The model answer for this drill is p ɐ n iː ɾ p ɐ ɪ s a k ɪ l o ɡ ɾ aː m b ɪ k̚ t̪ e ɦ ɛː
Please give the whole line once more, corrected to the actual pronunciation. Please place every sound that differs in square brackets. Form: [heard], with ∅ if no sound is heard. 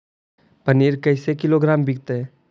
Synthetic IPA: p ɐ n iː ɾ [k] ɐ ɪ s [e] k ɪ l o ɡ ɾ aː m b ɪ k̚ t̪ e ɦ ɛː

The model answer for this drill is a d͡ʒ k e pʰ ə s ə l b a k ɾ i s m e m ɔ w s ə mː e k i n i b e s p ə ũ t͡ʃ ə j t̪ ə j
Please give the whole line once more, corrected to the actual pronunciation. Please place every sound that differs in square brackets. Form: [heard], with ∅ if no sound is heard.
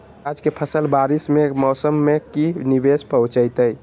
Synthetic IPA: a d͡ʒ k e pʰ ə s ə l b a [∅] ɾ i s m e m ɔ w s ə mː e k i n i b e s p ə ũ t͡ʃ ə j t̪ ə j

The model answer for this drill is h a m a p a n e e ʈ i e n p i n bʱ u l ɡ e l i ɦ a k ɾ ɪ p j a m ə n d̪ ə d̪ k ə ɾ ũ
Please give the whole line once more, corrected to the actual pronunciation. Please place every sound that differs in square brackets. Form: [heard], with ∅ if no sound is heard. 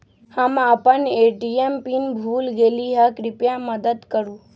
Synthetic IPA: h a m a p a n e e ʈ i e [m] p i n bʱ u l ɡ e l i ɦ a k ɾ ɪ p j a m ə [∅] d̪ ə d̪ k ə ɾ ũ

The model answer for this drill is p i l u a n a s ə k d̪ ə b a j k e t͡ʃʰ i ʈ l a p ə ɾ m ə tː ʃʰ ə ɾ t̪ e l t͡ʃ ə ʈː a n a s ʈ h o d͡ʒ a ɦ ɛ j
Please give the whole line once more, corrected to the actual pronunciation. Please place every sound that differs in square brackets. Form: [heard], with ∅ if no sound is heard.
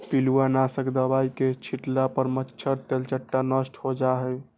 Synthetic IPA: p i l u a n a s ə k d̪ ə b a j k e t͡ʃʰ i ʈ l a p ə ɾ m ə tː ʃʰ ə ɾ t̪ e l t͡ʃ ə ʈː a n [ə] s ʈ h o d͡ʒ a ɦ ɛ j

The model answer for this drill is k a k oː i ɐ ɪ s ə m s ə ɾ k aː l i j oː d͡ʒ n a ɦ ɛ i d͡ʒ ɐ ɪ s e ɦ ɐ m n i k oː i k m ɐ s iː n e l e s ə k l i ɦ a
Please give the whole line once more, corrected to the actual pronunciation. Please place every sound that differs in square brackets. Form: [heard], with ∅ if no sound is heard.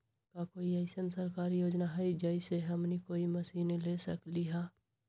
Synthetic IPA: k a k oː i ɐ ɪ s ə [n] s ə ɾ k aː [ɾ] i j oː d͡ʒ n a ɦ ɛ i d͡ʒ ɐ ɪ s e ɦ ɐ m n i k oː i [∅] m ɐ s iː n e l e s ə k l i ɦ a

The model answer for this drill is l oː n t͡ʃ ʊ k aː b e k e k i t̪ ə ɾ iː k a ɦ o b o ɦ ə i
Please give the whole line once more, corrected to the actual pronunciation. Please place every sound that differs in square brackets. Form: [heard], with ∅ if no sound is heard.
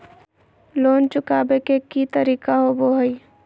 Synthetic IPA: l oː n t͡ʃ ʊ k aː b e k e k i t̪ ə ɾ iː k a ɦ o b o ɦ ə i

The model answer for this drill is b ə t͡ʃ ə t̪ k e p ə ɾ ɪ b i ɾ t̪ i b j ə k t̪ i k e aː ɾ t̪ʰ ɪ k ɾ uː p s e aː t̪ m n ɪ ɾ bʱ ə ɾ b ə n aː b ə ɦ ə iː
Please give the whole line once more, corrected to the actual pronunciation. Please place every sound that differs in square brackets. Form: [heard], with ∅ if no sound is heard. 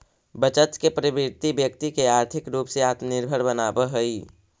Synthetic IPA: b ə t͡ʃ ə t̪ k e p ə ɾ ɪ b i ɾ t̪ i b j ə k t̪ i k e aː ɾ t̪ʰ ɪ k ɾ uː p s e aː t̪ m n ɪ ɾ bʱ ə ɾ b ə n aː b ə ɦ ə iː

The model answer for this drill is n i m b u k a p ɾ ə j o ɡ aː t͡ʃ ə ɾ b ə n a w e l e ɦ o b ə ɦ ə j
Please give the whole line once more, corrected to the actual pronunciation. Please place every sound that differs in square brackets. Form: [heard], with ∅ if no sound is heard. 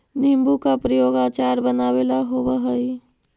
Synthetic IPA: n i m b u k a p ɾ ə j o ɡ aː t͡ʃ [a] ɾ b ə n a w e l [a] ɦ o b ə ɦ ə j

